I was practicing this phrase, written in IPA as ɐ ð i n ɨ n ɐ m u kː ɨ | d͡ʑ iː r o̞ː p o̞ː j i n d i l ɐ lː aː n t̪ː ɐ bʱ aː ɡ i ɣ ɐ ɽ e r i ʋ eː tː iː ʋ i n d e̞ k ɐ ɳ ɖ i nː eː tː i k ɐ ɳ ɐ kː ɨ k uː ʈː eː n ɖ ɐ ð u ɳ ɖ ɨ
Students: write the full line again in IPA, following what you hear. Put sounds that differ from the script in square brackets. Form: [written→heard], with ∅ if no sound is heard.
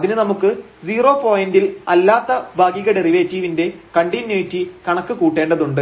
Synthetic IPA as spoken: ɐ ð i n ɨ n ɐ m u kː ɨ | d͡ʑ iː r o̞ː p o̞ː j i n d i l ɐ lː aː [n→∅] t̪ː ɐ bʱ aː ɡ i ɣ ɐ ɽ e r i ʋ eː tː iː ʋ i n d e̞ k ɐ ɳ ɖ i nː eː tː i k ɐ ɳ ɐ kː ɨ k uː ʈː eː [n→ɳ] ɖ ɐ ð u ɳ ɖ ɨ